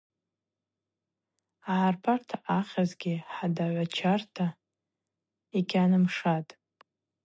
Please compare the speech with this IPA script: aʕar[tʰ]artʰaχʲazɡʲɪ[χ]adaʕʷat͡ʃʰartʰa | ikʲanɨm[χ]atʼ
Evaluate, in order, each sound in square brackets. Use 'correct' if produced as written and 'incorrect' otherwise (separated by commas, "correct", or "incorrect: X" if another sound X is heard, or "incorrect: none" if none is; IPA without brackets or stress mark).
incorrect: pʰ, incorrect: ħ, incorrect: ʂ